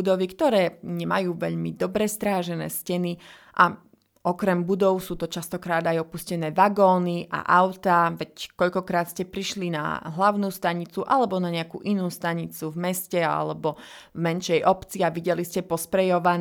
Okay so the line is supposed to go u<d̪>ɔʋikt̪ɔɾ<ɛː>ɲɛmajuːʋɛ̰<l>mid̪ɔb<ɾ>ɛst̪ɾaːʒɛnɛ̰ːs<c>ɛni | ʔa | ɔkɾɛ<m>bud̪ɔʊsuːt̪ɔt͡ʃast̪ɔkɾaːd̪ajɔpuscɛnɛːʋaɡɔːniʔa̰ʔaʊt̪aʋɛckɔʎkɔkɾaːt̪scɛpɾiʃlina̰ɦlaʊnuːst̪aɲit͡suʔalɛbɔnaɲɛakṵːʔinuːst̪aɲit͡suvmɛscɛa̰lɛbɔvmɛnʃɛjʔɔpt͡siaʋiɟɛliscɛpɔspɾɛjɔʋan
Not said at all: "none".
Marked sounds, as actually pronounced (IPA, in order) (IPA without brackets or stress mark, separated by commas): d̪, ɛː, ʎ, ɾ, c, m